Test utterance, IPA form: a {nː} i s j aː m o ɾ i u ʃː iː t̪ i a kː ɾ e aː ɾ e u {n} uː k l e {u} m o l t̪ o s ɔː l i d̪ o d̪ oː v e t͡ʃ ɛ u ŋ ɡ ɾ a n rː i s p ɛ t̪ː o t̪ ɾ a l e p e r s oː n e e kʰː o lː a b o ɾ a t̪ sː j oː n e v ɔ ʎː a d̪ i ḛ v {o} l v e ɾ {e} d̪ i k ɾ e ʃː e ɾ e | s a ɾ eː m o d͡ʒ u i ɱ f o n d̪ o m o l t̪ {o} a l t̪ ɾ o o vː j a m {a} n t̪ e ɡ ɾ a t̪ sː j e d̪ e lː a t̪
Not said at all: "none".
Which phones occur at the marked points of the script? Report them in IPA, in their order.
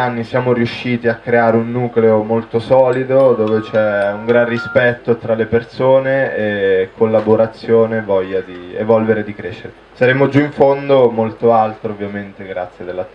nː, nː, o, ɔ, e, o, e

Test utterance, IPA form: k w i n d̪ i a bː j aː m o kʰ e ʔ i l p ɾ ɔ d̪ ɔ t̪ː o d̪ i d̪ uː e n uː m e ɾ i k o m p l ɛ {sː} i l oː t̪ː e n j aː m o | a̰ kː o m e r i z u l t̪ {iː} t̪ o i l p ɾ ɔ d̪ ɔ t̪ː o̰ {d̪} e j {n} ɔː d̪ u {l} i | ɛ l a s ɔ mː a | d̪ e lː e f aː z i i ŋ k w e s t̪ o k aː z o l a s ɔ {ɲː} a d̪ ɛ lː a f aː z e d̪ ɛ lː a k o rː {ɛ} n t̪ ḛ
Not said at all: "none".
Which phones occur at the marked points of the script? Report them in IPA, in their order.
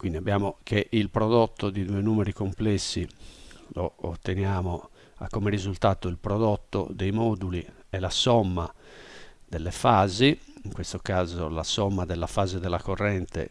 sː, aː, d̪, m, l, mː, ɛ

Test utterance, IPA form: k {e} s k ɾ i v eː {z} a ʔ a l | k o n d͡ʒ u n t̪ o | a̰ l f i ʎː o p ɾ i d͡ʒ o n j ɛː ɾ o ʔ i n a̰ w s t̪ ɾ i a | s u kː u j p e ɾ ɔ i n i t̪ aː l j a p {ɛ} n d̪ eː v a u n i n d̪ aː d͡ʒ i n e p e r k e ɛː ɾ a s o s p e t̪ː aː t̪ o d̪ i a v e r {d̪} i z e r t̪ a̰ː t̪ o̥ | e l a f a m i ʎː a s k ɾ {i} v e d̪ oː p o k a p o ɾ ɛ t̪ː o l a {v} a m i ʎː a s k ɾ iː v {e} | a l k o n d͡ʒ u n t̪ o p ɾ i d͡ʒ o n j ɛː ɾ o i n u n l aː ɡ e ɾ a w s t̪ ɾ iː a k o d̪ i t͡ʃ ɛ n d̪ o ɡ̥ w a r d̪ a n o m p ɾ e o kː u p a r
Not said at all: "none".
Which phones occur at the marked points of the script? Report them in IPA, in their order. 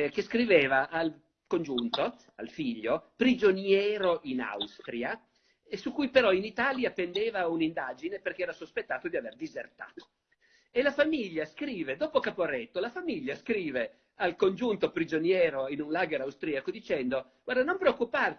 e, v, e, d̪, iː, f, e

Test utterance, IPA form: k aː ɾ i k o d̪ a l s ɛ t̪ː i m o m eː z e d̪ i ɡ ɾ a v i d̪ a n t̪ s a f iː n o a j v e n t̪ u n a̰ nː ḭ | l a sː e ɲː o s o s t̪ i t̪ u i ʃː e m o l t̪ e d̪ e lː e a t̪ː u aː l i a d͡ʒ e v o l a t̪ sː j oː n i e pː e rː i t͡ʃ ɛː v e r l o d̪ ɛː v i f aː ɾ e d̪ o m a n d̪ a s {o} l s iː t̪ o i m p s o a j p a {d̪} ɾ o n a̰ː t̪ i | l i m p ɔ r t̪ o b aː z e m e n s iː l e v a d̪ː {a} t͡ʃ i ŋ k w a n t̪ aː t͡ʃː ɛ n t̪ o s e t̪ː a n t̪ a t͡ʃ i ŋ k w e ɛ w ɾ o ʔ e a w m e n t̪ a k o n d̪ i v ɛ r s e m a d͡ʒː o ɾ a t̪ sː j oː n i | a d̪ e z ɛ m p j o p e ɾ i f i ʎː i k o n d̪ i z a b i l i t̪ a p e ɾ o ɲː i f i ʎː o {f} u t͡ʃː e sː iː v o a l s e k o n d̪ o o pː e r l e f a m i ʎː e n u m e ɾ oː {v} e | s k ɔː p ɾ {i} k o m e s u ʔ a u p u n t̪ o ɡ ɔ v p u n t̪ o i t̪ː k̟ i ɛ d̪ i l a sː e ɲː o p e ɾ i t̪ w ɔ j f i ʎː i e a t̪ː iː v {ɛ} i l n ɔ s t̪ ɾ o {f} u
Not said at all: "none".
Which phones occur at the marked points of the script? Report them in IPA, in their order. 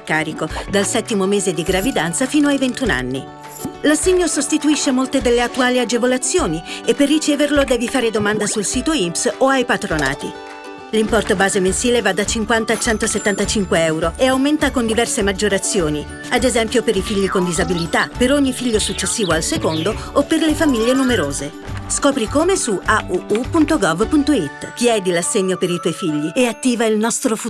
u, t̪, a, s, z, i, a, f

